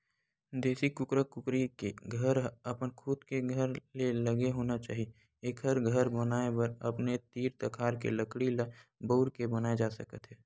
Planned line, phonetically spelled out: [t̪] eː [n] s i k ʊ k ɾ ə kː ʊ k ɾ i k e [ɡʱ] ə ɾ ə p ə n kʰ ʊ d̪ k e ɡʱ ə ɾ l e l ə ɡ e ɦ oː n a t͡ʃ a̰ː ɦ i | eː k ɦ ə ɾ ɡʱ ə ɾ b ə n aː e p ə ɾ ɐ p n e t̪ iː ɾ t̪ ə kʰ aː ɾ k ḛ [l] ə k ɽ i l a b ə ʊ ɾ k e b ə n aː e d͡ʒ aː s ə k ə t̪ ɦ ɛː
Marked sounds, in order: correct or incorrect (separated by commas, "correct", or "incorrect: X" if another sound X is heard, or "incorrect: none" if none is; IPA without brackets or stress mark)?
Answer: incorrect: d̪, incorrect: none, correct, correct